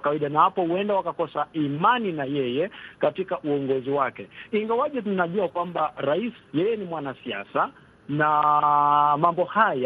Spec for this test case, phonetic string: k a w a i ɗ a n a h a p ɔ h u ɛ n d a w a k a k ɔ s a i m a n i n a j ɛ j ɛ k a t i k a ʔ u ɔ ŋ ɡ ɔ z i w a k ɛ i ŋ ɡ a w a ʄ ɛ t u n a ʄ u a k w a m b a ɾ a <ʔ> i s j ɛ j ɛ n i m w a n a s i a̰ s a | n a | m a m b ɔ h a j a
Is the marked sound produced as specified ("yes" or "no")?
no